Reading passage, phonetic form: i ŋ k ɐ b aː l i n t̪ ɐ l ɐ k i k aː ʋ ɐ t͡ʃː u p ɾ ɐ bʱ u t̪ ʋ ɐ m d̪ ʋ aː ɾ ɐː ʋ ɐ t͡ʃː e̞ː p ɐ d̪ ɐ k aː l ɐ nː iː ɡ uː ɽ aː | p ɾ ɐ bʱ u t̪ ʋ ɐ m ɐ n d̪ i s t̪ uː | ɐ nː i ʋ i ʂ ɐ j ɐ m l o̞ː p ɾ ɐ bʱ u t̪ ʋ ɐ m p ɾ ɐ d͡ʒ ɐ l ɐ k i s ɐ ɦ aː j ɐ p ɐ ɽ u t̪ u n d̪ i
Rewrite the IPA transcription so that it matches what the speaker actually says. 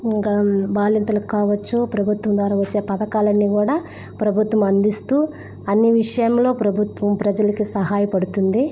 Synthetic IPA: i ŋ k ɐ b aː l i n t̪ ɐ l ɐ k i k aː ʋ ɐ t͡ʃː u p ɾ ɐ bʱ u t̪ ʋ ɐ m d̪ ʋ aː ɾ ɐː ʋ ɐ t͡ʃː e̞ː p ɐ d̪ ɐ k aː l ɐ nː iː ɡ uː ɽ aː | p ɾ ɐ bʱ u t̪ ʋ ɐ m ɐ n d̪ i s t̪ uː | ɐ nː i ʋ i ʂ ɐ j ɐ m l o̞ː p ɾ ɐ bʱ u t̪ ʋ ɐ m p ɾ ɐ d͡ʒ ɐ l ɐ k i s ɐ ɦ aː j ɐ p ɐ ɽ u t̪ u n d̪ i